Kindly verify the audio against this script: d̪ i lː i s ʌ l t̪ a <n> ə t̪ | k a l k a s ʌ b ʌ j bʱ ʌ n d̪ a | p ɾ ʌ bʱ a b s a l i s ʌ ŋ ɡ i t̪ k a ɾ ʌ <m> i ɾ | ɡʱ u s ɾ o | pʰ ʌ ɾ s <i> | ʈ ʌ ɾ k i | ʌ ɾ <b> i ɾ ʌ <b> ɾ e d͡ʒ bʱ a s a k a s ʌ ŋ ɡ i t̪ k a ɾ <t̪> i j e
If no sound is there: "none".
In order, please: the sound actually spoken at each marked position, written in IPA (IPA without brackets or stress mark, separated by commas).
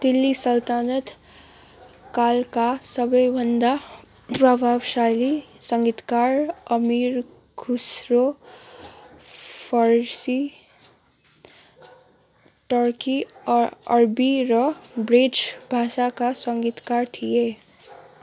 n, m, i, b, b, t̪ʰ